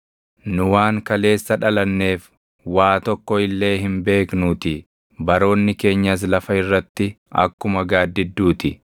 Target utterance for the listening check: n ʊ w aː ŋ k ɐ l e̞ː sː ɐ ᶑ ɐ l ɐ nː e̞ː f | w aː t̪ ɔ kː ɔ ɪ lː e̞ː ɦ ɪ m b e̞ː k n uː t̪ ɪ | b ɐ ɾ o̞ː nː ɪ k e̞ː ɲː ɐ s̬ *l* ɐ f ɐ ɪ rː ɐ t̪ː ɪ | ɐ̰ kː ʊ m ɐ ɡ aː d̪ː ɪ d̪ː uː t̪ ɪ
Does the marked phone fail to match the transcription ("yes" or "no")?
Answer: no